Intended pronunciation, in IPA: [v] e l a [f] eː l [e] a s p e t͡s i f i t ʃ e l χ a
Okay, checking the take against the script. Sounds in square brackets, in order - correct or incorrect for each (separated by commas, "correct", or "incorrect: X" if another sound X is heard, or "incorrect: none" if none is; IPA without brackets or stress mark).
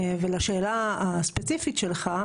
correct, incorrect: ʃ, incorrect: a